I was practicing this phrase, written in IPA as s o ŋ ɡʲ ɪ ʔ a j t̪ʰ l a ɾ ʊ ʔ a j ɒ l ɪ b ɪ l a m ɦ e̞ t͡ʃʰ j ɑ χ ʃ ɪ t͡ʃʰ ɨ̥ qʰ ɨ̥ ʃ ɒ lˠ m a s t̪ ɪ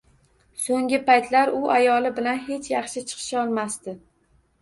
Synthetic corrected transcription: s o ŋ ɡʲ ɪ p a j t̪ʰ l a ɾ ʊ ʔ a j ɒ l ɪ b ɪ l a n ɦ e̞ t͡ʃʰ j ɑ χ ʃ ɪ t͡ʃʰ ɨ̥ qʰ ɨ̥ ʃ ɒ lˠ m a s t̪ ɪ